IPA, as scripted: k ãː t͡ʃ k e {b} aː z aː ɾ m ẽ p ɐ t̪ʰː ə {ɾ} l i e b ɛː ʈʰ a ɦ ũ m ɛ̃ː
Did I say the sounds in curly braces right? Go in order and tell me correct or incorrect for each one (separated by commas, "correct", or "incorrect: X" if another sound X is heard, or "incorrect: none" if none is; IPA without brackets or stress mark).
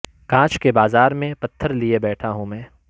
correct, correct